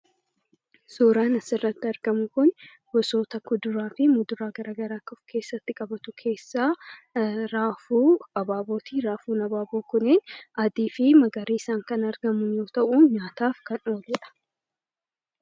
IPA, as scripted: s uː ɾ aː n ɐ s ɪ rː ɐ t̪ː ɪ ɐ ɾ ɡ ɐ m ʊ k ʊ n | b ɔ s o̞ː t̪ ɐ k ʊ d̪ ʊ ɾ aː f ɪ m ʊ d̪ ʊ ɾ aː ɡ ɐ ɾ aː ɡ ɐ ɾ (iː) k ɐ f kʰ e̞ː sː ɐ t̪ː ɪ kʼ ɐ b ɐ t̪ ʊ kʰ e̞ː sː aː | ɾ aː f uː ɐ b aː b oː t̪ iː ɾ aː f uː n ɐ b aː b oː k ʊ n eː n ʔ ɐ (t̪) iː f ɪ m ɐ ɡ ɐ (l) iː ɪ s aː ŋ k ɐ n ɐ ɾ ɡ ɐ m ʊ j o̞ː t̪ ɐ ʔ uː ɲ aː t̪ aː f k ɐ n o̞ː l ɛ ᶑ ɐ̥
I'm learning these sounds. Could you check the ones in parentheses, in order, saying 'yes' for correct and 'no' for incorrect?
no, no, no

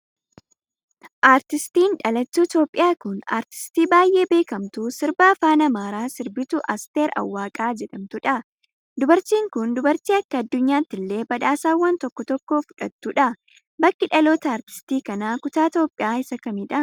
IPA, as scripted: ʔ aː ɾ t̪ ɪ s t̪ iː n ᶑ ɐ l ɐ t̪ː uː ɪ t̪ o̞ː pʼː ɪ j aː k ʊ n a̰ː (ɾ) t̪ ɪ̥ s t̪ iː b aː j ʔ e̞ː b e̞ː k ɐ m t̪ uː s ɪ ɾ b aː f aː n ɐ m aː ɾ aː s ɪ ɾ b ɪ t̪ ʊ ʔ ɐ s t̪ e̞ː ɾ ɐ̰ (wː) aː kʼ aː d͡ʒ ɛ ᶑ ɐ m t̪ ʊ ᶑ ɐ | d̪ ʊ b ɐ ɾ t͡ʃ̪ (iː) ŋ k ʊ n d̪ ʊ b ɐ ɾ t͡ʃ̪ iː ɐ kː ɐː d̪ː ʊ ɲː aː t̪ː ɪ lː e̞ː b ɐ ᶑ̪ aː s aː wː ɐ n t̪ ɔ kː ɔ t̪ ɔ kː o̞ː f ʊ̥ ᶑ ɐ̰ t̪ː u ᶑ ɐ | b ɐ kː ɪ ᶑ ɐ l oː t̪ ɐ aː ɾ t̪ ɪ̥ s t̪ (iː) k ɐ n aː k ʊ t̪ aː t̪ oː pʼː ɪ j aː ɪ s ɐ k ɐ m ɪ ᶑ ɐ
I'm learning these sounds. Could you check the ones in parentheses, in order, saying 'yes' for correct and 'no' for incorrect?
yes, yes, yes, yes

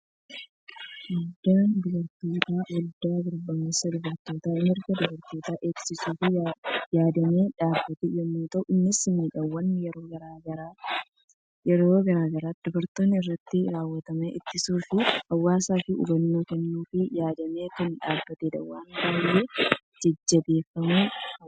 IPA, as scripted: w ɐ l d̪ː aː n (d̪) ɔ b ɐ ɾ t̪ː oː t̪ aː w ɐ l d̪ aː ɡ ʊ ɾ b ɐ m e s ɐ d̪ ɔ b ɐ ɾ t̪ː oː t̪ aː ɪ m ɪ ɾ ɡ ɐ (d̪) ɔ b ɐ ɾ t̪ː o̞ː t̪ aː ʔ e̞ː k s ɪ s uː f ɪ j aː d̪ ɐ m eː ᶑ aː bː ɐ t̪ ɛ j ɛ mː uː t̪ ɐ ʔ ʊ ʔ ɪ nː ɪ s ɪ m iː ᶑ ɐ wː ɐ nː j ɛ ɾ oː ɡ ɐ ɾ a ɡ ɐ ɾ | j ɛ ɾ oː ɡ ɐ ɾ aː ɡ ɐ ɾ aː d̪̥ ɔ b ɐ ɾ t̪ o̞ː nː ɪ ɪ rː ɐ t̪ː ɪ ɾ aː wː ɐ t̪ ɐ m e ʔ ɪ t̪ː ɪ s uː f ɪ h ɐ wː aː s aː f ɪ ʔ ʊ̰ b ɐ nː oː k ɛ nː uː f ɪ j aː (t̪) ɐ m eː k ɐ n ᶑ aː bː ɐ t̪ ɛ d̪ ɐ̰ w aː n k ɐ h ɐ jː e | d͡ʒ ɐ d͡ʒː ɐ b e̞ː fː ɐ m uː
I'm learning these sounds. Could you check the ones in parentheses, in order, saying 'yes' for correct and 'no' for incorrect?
yes, yes, no

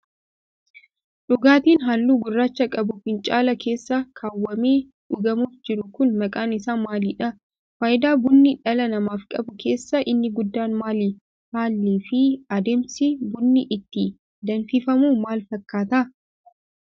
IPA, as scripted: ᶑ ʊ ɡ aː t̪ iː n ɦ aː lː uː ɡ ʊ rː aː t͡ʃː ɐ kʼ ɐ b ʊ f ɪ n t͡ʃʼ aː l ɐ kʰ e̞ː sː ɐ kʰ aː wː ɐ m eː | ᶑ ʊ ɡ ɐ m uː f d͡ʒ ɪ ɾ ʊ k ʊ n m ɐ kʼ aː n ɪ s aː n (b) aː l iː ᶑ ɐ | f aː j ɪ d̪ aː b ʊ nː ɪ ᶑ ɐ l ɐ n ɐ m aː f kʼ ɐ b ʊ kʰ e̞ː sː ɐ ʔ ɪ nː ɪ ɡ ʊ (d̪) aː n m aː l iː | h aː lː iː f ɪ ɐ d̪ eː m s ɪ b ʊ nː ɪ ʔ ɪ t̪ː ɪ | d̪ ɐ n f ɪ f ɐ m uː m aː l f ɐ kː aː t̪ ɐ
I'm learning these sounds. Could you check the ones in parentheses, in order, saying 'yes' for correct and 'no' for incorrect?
no, no

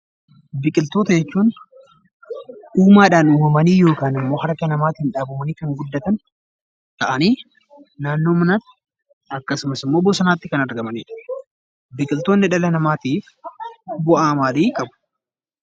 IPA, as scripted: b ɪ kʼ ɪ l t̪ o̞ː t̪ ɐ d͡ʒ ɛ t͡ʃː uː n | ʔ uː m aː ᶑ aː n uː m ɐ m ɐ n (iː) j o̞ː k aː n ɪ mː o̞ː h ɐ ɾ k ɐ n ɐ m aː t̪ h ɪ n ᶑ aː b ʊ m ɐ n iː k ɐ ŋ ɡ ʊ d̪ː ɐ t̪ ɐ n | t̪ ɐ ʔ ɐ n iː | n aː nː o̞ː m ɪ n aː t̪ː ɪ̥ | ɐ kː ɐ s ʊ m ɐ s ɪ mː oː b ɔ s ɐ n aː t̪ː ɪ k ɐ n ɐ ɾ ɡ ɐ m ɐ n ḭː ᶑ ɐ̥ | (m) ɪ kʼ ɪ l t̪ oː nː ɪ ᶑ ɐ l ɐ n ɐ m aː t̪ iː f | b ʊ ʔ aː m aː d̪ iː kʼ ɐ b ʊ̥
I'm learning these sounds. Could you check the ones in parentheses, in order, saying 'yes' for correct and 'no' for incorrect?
yes, no

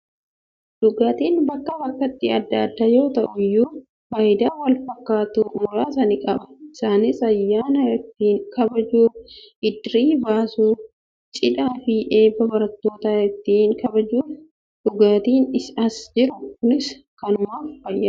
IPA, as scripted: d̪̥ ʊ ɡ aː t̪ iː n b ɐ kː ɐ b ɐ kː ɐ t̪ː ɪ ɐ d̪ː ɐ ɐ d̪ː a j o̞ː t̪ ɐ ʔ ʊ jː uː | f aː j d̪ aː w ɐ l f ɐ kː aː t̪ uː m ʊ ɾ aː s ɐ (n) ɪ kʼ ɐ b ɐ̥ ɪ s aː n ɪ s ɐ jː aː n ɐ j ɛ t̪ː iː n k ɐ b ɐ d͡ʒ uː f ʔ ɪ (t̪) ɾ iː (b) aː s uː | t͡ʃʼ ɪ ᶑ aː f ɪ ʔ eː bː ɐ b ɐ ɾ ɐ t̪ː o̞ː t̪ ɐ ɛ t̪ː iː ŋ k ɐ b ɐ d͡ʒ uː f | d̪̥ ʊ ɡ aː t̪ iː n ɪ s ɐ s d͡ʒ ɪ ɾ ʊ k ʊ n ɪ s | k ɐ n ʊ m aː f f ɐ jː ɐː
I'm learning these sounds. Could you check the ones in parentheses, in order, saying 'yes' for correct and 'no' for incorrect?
yes, no, yes

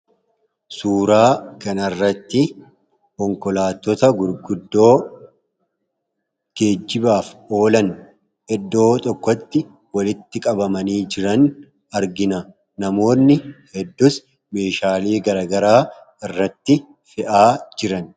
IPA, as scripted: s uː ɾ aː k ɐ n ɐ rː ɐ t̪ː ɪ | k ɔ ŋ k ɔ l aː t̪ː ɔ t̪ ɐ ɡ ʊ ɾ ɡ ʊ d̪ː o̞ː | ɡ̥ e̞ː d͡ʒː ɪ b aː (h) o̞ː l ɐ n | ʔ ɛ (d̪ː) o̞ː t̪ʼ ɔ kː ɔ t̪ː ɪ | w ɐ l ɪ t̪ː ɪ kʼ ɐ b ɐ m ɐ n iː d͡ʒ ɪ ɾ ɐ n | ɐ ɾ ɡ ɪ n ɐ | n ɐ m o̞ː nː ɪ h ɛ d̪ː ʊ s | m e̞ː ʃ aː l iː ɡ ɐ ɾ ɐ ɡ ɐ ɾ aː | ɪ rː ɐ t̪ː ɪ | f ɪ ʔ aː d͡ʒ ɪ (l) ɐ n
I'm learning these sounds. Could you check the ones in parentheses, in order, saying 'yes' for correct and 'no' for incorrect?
no, yes, no

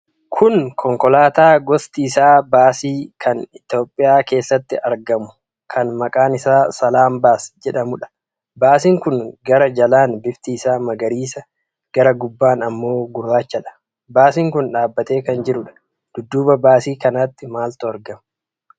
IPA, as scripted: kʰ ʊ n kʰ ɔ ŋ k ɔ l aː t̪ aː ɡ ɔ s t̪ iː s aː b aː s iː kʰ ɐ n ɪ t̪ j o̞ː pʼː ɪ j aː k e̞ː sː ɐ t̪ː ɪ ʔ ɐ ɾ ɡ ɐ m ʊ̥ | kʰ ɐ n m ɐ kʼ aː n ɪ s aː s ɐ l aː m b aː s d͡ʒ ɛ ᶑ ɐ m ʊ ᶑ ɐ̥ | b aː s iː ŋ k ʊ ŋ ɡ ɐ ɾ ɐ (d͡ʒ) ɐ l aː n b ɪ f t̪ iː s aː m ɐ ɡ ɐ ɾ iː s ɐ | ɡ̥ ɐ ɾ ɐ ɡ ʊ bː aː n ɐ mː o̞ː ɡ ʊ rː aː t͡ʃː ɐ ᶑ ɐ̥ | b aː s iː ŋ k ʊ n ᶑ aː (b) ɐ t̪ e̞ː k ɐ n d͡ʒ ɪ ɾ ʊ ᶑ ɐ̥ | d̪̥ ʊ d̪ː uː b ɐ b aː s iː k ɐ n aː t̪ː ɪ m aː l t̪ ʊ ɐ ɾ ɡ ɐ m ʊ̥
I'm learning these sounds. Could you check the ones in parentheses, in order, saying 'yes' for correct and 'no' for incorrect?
yes, no

